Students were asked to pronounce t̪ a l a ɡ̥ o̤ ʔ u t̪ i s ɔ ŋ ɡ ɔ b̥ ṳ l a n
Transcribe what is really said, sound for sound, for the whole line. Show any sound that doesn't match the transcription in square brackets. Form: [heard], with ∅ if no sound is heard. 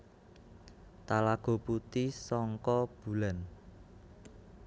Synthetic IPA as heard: t̪ a l a ɡ̥ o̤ [p] u t̪ i s ɔ ŋ [k] ɔ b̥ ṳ l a n